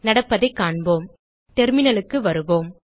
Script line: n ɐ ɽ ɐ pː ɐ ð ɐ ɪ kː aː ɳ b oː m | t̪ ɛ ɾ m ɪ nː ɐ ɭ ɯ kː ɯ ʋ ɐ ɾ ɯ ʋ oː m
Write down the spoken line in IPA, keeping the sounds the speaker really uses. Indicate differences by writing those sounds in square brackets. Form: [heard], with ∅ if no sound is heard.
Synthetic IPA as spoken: n ɐ ɽ ɐ pː ɐ ð ɐ ɪ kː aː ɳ b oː m | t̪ ɛ ɾ m ɪ [n] ɐ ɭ ɯ kː ɯ ʋ ɐ ɾ ɯ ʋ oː m